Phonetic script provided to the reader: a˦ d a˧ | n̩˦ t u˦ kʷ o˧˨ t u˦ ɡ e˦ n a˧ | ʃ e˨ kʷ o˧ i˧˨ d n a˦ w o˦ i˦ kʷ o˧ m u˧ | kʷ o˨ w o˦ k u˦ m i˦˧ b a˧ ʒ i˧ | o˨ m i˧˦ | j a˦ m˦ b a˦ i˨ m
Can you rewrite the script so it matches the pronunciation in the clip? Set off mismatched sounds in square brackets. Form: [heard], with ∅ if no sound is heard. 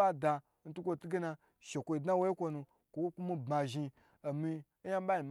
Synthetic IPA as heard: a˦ d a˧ | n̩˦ t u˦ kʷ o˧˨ t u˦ ɡ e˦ n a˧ | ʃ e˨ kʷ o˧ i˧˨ d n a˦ w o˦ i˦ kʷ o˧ [n] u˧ | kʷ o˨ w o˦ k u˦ m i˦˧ b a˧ ʒ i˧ | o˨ m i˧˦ | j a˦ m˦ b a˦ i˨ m

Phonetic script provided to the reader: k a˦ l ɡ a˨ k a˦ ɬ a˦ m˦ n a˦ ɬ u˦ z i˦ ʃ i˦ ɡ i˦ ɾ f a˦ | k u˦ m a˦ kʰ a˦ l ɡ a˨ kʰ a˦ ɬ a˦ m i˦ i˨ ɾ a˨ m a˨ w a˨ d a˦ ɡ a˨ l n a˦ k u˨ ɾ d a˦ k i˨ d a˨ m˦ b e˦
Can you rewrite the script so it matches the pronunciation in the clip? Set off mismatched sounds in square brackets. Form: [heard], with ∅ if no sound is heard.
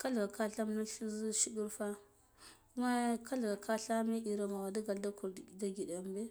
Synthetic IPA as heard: k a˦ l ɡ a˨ k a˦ ɬ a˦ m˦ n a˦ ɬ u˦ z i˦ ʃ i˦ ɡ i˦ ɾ f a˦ | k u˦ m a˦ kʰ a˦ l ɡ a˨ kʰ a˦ ɬ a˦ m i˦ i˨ ɾ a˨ m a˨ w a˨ d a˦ ɡ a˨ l [d] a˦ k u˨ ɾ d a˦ [ɡ] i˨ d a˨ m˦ b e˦

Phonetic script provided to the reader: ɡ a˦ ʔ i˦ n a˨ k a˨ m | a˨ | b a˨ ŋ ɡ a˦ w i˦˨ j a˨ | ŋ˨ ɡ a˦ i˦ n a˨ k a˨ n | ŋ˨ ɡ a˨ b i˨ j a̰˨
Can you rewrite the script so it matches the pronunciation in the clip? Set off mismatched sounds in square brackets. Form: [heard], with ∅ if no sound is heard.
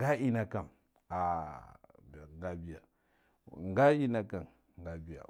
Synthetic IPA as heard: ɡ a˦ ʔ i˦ n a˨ k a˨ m | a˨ | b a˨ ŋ ɡ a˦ [b] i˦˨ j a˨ | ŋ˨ ɡ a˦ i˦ n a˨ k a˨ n | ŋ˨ ɡ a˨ b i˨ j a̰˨

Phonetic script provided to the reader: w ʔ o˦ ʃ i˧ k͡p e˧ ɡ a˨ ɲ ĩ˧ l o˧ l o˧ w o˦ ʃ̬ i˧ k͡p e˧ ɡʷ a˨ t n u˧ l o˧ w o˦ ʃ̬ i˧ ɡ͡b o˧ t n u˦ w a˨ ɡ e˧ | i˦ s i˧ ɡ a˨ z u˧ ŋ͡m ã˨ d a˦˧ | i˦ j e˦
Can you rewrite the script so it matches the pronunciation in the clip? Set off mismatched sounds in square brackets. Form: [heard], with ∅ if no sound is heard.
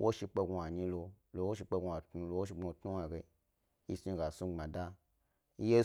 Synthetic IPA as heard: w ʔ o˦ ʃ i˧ k͡p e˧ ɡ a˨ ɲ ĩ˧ l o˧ l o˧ w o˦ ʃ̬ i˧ k͡p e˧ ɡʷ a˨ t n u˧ l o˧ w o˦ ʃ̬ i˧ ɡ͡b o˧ t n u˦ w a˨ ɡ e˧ | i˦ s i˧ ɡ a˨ [s] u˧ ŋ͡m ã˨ d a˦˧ | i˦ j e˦

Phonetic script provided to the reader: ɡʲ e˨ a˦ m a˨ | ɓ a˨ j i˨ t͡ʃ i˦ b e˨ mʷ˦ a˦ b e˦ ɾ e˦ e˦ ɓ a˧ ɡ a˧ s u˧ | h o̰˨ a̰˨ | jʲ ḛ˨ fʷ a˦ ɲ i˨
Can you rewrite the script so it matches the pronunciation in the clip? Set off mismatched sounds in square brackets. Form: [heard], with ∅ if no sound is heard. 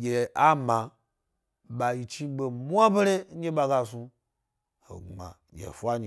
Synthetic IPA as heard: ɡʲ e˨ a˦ m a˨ | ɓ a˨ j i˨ t͡ʃ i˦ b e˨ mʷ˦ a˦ b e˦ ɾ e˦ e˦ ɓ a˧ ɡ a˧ s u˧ | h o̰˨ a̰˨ | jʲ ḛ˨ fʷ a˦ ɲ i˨

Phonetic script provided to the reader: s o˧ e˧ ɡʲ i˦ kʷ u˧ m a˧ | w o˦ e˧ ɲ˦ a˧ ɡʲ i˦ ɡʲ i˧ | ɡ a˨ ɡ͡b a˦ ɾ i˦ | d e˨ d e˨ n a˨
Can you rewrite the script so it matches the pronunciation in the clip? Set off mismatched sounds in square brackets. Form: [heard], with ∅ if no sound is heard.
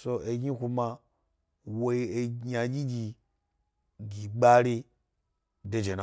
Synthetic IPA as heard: s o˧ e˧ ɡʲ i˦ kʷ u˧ m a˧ | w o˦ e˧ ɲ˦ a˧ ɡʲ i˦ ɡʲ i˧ | ɡ [i˨] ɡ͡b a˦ ɾ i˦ | d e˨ [d͡ʒ] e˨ n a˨

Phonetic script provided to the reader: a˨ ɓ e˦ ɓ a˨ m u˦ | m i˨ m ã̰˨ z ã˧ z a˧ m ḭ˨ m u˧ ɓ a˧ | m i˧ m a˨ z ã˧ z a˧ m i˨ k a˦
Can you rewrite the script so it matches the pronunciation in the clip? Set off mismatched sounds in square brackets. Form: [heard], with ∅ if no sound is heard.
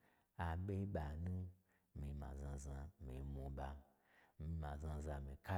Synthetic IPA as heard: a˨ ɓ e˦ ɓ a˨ [n] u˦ | m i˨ m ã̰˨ z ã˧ z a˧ m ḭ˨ m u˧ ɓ a˧ | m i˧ m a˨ z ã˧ z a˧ m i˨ k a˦

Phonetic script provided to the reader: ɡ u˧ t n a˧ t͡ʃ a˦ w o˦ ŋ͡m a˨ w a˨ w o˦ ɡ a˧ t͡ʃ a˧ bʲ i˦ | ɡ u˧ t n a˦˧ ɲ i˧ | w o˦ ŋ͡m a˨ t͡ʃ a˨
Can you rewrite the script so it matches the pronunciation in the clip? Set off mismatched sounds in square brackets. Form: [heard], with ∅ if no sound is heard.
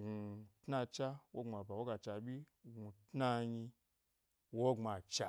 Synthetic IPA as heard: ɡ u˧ t n a˧ t͡ʃ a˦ w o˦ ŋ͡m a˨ [b] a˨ w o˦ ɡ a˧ t͡ʃ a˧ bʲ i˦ | ɡ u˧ t n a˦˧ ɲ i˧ | w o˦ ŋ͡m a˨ t͡ʃ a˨

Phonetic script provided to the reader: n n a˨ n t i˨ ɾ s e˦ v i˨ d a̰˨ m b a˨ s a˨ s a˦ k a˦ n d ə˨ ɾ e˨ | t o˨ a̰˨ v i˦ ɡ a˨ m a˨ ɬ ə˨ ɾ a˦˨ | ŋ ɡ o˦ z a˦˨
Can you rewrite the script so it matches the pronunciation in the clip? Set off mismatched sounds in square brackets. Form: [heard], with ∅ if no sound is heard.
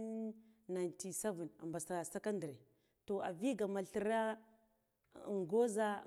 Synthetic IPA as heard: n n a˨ n t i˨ [∅] s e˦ v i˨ [n] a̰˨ m b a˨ s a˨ s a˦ k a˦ n d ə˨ ɾ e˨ | t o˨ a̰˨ v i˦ ɡ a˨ m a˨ ɬ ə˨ ɾ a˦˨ | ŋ ɡ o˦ z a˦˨

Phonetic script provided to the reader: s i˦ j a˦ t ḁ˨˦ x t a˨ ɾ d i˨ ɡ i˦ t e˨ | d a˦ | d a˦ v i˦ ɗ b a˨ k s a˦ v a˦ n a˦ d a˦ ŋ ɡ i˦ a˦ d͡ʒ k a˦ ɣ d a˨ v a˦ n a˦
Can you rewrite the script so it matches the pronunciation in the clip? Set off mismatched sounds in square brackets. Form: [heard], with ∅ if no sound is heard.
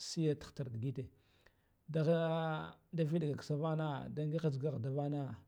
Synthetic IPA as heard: s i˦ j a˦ t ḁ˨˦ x t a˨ ɾ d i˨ ɡ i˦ t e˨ | d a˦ | d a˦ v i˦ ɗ [ɡ] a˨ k s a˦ v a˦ n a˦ d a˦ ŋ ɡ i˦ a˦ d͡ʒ [ɡ] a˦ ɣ d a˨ v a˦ n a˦

